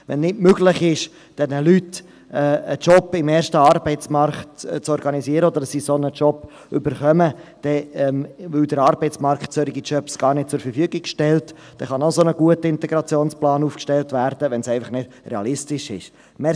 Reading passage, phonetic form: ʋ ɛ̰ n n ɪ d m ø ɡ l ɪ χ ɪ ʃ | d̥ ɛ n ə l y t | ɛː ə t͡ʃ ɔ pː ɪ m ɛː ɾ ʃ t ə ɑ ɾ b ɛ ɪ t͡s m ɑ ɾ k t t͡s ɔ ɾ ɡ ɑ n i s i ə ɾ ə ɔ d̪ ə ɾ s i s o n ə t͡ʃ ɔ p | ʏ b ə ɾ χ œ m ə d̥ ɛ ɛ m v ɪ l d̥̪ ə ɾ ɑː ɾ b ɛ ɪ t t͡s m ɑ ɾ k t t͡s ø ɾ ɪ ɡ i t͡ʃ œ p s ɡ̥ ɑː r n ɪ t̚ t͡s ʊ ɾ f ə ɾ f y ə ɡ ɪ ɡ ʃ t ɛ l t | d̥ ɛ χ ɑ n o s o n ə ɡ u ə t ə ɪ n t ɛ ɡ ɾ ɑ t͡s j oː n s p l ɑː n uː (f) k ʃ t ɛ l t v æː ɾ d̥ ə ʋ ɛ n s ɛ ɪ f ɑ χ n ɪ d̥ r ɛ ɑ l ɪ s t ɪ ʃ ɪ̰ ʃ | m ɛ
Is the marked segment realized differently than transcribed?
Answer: no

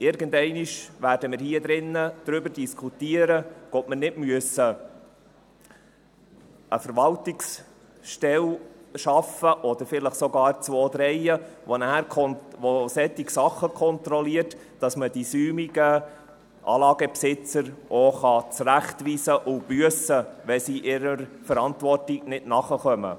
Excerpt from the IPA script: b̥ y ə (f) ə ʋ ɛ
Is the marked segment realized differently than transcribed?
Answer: yes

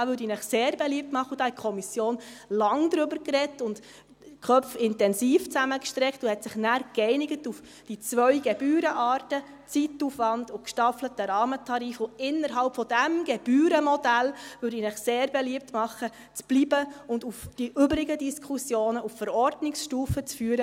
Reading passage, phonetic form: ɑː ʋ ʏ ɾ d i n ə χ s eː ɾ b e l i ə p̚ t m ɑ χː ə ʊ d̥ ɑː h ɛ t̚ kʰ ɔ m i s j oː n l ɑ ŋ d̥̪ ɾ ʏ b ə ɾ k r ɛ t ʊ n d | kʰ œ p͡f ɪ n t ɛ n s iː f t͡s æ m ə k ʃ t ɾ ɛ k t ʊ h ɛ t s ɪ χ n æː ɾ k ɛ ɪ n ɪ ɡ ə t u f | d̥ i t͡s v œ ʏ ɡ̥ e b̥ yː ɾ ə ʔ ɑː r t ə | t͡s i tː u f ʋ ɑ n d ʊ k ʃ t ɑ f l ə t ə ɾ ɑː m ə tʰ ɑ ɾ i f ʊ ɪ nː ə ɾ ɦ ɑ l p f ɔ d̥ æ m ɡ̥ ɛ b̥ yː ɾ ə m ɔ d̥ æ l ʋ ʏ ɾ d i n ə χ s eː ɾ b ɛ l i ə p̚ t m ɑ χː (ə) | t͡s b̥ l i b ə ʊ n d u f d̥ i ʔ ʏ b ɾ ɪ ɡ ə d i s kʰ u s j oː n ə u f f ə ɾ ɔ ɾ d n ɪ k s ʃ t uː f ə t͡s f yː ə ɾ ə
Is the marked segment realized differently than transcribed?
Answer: no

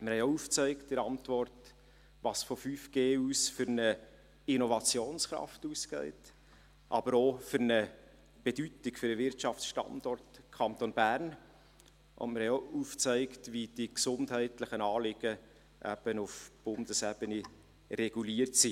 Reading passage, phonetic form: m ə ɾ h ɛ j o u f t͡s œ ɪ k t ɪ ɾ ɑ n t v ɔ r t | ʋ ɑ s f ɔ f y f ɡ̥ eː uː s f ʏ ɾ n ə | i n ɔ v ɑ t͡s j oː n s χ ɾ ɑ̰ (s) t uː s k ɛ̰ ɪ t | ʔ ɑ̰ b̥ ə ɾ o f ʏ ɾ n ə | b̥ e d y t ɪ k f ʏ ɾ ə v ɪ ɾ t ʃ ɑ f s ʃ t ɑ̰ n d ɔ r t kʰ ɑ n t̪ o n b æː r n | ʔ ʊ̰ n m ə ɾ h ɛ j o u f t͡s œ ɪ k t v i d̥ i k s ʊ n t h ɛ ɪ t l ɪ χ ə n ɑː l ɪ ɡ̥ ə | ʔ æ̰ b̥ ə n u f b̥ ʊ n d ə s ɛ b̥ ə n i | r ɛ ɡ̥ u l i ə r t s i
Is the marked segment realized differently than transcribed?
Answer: yes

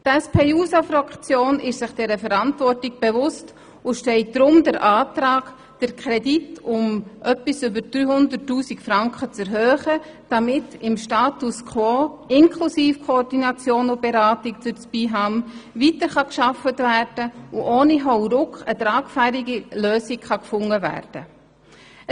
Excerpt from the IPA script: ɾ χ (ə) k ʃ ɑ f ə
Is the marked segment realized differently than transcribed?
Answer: yes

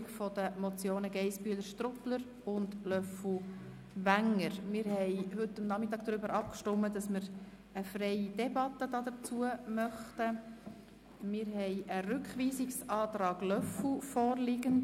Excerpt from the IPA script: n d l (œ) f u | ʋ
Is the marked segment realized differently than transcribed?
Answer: no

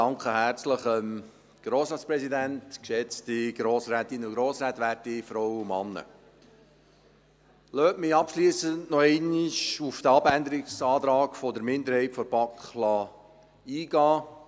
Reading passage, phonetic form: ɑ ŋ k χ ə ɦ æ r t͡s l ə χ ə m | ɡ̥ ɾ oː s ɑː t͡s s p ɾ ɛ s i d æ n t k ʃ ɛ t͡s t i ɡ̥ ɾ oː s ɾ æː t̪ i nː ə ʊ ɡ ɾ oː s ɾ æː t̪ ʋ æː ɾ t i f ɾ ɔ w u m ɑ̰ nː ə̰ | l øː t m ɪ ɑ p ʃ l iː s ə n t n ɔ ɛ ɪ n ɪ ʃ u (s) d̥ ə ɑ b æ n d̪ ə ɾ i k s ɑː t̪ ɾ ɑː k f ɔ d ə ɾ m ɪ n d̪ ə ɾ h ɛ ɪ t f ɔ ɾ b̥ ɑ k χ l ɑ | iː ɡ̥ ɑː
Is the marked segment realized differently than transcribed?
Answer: yes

